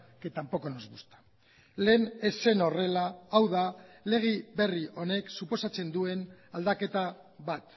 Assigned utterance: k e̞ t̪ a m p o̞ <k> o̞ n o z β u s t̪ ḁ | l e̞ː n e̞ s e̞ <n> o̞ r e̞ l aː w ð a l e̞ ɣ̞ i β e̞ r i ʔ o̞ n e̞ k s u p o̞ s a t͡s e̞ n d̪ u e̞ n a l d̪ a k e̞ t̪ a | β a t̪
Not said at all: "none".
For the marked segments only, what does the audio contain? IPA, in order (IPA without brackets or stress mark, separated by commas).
k, n